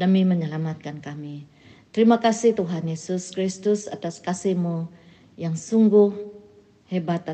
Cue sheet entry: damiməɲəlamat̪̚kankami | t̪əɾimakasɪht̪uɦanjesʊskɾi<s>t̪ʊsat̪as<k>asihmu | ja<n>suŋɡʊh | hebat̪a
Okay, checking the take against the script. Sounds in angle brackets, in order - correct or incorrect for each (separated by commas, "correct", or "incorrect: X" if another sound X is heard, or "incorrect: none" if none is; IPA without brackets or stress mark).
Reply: correct, correct, incorrect: ŋ